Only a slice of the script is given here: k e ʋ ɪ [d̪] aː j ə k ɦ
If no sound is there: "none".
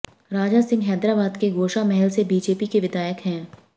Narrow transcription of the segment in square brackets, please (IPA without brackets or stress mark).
d̪